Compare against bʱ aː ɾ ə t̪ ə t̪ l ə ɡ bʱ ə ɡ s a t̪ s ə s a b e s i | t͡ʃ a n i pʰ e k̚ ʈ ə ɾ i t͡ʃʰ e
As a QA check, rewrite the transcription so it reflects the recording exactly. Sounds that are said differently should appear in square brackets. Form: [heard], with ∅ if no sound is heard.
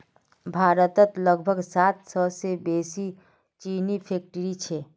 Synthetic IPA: bʱ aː ɾ ə t̪ ə t̪ l ə ɡ bʱ ə ɡ s a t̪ s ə s [e] b e s i | t͡ʃ [i] n i pʰ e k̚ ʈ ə ɾ i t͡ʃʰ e